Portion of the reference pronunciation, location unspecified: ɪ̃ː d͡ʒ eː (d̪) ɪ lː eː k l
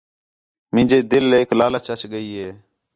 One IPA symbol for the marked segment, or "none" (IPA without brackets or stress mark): d̪